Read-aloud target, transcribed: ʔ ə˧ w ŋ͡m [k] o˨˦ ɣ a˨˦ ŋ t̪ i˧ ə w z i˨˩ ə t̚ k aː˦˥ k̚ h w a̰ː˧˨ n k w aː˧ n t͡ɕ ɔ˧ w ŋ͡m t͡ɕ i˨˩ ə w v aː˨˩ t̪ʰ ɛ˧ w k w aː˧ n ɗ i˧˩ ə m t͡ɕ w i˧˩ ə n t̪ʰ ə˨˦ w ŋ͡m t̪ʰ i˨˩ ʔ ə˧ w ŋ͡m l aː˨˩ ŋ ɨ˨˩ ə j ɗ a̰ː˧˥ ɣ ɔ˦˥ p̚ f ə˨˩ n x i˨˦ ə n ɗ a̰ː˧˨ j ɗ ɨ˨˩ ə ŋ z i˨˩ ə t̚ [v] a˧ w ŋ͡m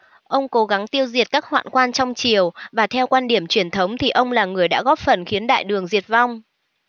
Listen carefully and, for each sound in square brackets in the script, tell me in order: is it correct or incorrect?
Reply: correct, correct

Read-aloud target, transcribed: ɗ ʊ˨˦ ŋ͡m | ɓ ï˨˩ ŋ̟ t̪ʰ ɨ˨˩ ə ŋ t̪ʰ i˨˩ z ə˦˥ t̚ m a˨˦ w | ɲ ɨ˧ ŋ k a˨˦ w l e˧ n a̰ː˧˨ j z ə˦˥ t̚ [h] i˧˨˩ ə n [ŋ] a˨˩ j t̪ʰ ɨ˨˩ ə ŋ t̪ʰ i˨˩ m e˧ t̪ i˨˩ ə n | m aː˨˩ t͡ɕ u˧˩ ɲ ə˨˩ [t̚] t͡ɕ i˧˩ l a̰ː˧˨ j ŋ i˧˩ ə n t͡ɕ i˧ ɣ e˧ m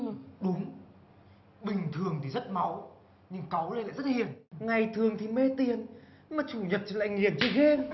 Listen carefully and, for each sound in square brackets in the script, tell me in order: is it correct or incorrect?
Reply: correct, correct, correct

